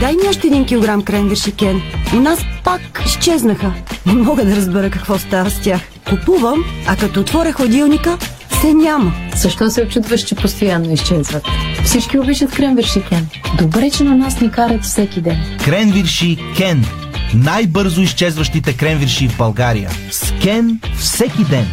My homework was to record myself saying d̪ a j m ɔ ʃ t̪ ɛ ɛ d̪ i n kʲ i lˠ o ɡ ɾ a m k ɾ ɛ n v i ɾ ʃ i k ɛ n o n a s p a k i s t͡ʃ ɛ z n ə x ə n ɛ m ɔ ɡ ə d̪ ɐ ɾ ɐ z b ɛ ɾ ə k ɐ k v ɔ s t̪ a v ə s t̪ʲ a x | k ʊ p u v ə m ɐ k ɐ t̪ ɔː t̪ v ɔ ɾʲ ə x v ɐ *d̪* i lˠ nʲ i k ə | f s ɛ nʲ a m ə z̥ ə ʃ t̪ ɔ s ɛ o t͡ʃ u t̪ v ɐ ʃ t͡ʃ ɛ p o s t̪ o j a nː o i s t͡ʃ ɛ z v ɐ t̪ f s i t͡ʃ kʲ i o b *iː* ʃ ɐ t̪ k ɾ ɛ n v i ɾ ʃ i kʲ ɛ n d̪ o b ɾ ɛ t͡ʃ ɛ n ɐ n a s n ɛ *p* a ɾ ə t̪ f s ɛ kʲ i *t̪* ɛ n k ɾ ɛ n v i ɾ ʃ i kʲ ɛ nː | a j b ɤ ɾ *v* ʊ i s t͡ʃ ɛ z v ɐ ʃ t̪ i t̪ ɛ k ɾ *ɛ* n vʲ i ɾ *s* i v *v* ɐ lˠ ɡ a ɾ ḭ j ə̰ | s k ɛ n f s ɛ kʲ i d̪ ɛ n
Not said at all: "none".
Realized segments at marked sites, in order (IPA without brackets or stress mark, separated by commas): d̪, i, k, d̪, z, ɛ, ʃ, b